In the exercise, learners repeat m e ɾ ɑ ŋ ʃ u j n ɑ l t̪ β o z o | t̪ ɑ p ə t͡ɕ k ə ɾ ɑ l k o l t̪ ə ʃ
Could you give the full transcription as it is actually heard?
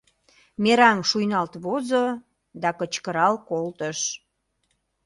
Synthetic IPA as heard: m e ɾ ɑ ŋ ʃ u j n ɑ l t̪ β o z o | d̪ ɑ k ə t͡ɕ k ə ɾ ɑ l k o l t̪ ə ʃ